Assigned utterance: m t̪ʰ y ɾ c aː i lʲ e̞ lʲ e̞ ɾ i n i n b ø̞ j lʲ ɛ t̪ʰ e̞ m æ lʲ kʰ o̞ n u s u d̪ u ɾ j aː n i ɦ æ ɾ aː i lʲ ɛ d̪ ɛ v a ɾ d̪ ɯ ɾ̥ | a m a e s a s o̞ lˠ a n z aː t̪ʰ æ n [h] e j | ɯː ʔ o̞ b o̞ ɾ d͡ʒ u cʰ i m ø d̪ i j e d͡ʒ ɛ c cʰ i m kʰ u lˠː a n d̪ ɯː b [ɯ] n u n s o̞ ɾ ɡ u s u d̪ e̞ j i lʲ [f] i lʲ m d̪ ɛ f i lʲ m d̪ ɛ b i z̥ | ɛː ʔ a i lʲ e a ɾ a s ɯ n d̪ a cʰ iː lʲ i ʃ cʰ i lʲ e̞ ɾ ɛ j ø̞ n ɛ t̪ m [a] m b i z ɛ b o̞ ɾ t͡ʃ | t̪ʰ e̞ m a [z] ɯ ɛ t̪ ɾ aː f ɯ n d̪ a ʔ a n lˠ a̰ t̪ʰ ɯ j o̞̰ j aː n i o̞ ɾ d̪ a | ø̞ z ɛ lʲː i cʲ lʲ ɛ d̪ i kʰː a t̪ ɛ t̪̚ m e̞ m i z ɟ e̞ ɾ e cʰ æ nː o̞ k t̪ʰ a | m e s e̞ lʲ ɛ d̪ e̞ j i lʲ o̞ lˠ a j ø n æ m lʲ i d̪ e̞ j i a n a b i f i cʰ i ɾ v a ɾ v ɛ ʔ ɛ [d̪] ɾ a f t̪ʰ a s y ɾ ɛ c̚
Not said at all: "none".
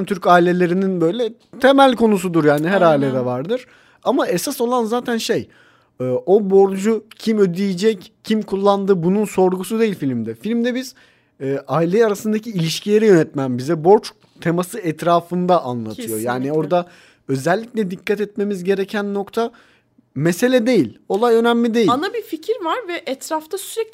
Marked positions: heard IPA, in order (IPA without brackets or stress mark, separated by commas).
ʃ, u, f, æ, s, t̪